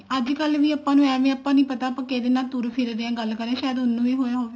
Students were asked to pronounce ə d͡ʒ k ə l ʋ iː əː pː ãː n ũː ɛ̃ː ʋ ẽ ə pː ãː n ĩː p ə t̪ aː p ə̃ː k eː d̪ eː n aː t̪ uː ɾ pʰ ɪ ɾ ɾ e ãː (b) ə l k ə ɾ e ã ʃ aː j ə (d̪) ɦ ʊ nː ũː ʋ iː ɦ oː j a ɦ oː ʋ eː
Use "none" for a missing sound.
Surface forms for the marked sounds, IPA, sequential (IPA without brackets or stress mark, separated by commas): ɡ, d̪